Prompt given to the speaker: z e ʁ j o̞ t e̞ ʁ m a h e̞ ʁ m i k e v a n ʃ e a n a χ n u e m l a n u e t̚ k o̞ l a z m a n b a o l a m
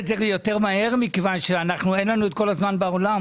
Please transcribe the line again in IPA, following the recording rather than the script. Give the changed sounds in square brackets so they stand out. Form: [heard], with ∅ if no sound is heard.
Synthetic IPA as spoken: z e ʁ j o̞ t e̞ ʁ m a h e̞ ʁ m i k e v a n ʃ e a n a χ n u e [n] l a n u e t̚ k o̞ l a z m a n b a o l a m

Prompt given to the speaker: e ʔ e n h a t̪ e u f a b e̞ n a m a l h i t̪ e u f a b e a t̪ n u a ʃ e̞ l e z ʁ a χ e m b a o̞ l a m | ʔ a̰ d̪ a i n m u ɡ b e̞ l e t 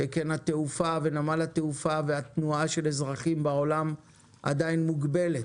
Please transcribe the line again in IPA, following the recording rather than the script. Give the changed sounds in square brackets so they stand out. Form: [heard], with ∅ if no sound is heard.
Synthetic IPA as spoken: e [k] e n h a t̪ e u f a [v] e̞ n a m a l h [a] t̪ e u f a [v] e a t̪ n u a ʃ e̞ l e z ʁ a χ [i] m b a o̞ l a m | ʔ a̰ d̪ a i n m u ɡ b e̞ l e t

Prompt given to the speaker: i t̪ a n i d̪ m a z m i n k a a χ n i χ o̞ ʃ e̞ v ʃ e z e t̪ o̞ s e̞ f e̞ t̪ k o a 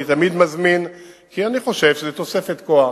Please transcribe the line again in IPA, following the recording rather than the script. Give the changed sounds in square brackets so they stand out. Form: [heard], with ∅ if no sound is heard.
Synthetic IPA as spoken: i t̪ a [m] i d̪ m a z m i n k [i] a [∅] n i χ o̞ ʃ e̞ v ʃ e z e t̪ o̞ s e̞ f e̞ t̪ k o a

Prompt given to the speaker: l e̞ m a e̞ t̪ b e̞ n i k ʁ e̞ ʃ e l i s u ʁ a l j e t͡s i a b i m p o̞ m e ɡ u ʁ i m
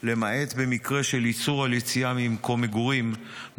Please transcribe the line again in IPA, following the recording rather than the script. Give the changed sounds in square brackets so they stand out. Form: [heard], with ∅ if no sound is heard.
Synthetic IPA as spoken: l e̞ m a e̞ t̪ b e̞ [m] i k ʁ e̞ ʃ e l i [t͡s] u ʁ a l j e t͡s i a [m] i m [k] o̞ m e ɡ u ʁ i m

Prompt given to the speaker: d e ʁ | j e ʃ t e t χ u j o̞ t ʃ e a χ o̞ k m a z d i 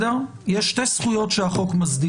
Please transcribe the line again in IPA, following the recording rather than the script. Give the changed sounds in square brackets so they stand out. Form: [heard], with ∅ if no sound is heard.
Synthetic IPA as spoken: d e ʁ | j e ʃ t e [s] χ u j o̞ t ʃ e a χ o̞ k m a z d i

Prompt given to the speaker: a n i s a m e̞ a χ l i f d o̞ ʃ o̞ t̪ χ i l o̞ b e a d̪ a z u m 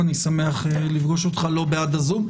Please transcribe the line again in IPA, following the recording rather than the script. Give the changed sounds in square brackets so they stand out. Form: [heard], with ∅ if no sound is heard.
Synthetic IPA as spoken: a n i s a m e̞ a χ l i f [ɡ] o̞ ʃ o̞ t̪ χ [a] l o̞ b e a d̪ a z u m

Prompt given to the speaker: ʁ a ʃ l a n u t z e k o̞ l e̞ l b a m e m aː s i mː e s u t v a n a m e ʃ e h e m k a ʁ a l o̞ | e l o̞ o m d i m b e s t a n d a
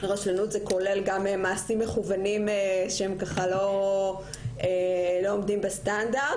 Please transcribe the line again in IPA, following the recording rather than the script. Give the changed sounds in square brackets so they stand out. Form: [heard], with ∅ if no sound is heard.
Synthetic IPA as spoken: ʁ a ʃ l a n u t z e k o̞ l e̞ l [ɡ] a m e m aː s i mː e [χ] u [∅] v a n [i] m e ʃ e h e m k a [χ] a l o̞ | e l o̞ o m d i m b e s t a n d a

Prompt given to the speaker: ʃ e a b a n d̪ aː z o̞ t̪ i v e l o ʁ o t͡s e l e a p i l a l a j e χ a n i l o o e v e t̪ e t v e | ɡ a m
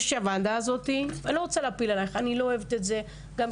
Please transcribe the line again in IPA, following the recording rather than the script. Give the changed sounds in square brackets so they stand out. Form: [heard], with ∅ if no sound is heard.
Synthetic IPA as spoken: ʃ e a [v] a n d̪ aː z o̞ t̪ i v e l o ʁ o t͡s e l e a p i l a l a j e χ a n i l o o e v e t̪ e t [z] e | ɡ a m

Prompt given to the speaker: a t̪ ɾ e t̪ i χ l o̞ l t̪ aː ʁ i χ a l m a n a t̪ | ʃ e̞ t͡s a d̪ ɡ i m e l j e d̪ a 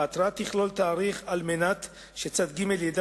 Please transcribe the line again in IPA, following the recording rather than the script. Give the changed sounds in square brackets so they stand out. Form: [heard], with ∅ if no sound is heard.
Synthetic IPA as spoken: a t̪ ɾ [a] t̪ i χ l o̞ l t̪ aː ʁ i χ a l m [e] n a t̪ | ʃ e̞ t͡s a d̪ ɡ i m e l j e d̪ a

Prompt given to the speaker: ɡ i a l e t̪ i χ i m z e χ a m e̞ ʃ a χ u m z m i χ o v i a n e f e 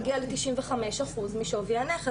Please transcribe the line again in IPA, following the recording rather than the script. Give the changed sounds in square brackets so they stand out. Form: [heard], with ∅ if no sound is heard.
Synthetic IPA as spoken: ɡ i a l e t̪ i [ʃ] i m [v] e χ a m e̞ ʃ a χ u [∅] z m i [ʃ] o v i a n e [χ] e

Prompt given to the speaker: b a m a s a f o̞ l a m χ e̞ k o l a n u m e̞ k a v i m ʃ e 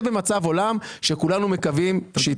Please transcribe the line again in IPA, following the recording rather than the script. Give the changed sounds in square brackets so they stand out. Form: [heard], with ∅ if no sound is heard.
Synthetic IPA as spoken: b [e] m a [t͡s] a [v] o̞ l a m [ʃ] e̞ k [u] l a n u m e̞ k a v i m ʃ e

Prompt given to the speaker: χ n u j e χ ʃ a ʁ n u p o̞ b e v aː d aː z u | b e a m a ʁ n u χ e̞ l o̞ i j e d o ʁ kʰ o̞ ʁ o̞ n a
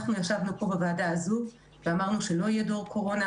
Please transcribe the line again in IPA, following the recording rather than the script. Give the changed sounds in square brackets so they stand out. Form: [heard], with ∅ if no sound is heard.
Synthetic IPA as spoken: χ n u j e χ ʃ a [v] n u p o̞ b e v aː d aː z u | [v] e a m a ʁ n u [ʃ] e̞ l o̞ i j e d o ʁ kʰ o̞ ʁ o̞ n a

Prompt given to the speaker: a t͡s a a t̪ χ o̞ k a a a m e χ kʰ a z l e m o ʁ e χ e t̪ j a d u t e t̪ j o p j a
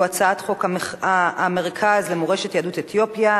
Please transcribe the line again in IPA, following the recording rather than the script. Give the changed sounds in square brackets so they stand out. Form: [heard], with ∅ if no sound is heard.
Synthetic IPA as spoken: a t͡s a a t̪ χ o̞ k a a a m e [ʁ] kʰ a z l e m o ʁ e [ʃ] e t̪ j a d u t e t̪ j o p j a

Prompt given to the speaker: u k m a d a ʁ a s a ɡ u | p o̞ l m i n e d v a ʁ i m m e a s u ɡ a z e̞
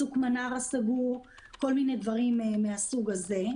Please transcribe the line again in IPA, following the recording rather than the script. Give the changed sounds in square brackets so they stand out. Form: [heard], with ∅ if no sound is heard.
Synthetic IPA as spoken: u k m a [n] a ʁ a s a ɡ u | [k] o̞ l m i n e d v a ʁ i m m e a s u ɡ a z e̞

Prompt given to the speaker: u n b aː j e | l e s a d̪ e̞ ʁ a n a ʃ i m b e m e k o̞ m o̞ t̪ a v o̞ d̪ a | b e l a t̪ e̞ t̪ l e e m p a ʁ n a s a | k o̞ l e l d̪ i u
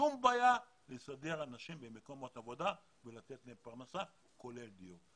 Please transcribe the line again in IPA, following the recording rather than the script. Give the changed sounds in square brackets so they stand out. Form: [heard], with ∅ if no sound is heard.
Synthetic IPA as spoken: u [m] b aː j [a] | l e s a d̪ e̞ ʁ a n a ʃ i m b e m e k o̞ m o̞ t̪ a v o̞ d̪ a | [v] e l a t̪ e̞ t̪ l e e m p a ʁ n a s a | k o̞ l e l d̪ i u

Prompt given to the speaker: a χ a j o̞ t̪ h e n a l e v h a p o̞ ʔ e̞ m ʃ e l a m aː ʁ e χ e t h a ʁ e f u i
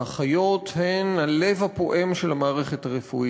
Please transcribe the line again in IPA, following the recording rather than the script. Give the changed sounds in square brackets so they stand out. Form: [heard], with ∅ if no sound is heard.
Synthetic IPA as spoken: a χ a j o̞ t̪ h e n a l e v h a p o̞ ʔ e̞ m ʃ e l a m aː ʁ e χ e t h a ʁ e f u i

